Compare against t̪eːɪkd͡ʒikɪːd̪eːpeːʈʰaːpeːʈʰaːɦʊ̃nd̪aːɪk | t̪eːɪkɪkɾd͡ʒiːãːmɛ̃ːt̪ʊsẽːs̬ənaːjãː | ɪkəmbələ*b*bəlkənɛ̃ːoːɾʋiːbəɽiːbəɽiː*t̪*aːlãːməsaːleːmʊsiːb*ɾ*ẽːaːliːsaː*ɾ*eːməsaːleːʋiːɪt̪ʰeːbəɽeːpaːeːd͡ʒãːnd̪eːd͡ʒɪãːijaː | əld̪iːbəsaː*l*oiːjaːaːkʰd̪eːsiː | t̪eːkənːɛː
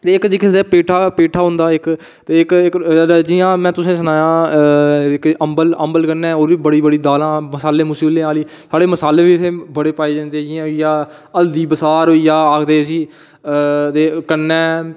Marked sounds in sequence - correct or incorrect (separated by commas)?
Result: incorrect, incorrect, incorrect, incorrect, incorrect